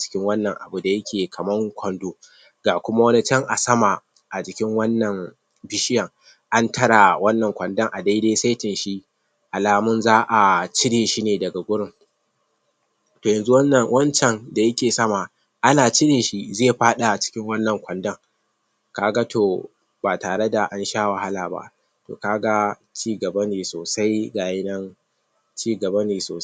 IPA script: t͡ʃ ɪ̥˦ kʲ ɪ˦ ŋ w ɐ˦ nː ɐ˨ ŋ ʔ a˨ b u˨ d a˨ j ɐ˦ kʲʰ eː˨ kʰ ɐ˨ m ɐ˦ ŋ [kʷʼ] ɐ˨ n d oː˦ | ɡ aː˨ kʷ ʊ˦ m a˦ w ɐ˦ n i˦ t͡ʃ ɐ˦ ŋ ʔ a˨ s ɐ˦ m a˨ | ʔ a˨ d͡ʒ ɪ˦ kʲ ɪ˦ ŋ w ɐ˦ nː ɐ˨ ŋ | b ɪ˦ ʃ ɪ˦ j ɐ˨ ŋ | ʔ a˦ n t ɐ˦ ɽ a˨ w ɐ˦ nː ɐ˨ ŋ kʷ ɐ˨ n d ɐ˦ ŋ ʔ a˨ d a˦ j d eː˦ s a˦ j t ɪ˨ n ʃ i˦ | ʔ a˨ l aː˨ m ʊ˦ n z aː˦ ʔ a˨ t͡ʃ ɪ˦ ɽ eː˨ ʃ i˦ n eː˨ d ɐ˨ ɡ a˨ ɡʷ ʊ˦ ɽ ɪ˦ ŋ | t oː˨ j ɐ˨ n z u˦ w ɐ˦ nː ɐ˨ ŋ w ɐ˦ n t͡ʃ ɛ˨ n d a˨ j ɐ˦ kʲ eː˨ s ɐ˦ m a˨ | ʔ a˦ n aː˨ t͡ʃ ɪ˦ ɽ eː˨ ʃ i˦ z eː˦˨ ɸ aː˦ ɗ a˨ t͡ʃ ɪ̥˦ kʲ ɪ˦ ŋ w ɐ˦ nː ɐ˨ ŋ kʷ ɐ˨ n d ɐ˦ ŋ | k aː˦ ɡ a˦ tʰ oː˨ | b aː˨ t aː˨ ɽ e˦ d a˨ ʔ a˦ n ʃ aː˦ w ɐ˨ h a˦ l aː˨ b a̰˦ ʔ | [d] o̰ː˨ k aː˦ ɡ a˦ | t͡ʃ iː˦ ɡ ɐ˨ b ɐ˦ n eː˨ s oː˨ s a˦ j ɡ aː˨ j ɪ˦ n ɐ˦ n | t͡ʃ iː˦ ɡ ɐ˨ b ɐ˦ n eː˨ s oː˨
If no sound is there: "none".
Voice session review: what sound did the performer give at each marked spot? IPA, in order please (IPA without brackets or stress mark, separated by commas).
kʷ, t